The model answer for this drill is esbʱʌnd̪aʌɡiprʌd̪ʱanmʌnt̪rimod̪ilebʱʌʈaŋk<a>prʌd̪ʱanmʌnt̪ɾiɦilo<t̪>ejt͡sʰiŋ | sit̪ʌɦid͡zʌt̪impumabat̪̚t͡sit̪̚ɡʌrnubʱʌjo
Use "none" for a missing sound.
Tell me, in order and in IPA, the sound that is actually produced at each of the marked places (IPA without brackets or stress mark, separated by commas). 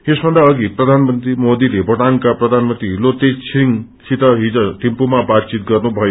a, t̪